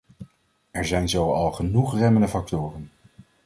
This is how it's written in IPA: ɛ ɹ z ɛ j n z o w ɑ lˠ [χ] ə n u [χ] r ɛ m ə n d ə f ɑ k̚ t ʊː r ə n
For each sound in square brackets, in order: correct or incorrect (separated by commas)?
correct, correct